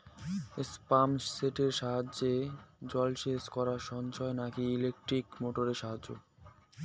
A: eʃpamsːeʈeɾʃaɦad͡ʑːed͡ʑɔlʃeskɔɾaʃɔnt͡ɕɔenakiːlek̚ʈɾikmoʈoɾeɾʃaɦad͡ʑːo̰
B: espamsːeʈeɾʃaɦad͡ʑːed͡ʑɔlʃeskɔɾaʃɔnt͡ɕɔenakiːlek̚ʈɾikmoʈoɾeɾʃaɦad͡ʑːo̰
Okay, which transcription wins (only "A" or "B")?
B